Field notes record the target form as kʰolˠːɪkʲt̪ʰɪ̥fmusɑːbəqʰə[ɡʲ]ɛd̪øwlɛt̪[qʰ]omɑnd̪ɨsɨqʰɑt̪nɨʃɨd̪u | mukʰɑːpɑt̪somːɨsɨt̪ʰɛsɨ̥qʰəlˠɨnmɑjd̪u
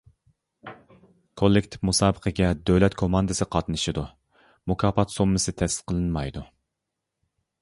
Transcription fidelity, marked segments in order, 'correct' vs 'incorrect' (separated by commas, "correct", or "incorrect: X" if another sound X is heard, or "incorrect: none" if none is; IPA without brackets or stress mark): correct, incorrect: kʰ